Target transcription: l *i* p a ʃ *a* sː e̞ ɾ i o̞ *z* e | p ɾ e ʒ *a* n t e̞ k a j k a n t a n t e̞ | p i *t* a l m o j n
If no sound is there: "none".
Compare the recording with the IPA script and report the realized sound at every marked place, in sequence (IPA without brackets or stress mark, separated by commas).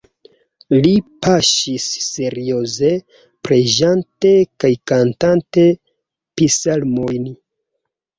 i, i, z, a, s